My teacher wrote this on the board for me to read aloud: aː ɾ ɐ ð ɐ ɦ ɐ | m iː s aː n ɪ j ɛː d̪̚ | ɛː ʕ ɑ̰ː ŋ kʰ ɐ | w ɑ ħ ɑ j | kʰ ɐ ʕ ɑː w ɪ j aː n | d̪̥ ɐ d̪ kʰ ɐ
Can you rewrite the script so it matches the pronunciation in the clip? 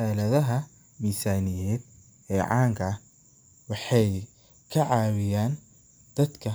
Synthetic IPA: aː l ɐ ð ɐ ɦ ɐ | m iː s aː n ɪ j ɛː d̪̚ | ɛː ʕ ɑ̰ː ŋ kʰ ɐ | w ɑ ħ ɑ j | kʰ ɐ ʕ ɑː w ɪ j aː n | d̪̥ ɐ d̪ kʰ ɐ